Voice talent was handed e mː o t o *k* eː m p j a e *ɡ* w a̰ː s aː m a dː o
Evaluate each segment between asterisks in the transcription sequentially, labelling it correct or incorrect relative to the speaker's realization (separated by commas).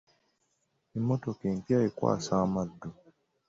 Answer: correct, incorrect